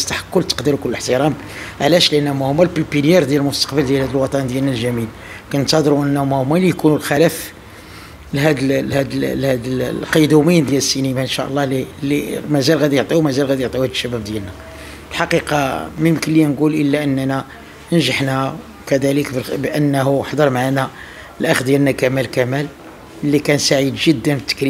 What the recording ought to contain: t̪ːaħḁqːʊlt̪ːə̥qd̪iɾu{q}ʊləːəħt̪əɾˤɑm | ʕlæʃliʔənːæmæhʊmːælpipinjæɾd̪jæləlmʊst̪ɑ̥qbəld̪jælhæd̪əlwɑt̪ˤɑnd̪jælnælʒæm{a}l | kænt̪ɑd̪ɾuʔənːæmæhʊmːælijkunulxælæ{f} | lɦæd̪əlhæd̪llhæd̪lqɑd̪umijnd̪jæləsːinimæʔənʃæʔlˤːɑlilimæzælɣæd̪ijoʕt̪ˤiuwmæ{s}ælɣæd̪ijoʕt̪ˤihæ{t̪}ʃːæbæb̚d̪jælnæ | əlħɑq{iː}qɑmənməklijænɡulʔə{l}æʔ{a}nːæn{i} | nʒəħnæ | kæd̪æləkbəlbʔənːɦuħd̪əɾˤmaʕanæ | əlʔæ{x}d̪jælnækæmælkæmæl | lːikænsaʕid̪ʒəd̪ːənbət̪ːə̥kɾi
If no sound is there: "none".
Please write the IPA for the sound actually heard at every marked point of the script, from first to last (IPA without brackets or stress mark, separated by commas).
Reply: k, i, f, z, d̪, i, lː, ə, æ, x